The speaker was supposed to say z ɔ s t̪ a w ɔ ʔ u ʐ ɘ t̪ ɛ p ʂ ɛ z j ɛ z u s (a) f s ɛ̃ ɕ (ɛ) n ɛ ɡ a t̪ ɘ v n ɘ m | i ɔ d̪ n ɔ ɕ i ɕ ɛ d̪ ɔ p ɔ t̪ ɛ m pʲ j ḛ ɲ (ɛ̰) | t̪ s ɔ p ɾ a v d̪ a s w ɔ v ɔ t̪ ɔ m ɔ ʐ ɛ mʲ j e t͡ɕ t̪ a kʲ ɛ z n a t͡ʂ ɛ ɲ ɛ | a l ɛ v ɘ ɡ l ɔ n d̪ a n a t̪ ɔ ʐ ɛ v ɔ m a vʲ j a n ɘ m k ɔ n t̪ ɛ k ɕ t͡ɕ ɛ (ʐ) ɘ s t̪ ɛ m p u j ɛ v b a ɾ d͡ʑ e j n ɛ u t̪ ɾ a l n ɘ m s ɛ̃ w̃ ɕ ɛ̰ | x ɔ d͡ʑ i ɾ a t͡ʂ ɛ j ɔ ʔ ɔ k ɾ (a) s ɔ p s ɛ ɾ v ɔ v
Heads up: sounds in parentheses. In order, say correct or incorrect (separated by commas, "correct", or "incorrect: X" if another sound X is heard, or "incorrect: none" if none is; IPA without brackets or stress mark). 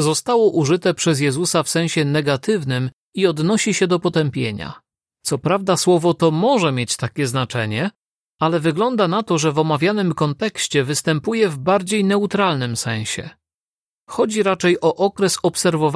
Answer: correct, correct, incorrect: a̰, incorrect: v, incorrect: ɛ